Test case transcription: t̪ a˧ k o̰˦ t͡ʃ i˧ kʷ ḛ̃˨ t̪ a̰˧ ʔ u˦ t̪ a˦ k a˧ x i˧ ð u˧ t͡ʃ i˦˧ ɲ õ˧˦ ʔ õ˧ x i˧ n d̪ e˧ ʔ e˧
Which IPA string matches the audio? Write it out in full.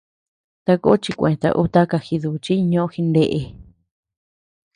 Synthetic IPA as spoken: t̪ a˧ k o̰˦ t͡ʃ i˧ kʷ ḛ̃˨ t̪ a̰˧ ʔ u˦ t̪ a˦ k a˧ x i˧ ð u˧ t͡ʃ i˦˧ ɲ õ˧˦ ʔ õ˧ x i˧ n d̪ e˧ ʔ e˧